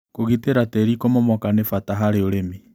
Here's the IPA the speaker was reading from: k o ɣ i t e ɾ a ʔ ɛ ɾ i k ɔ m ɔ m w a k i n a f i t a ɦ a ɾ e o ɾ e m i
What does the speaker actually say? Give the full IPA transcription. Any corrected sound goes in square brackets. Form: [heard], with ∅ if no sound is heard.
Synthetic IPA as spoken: k o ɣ i t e ɾ a [t] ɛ ɾ i k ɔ m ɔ m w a k [a] n [e] f [a] t a ɦ a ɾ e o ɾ e m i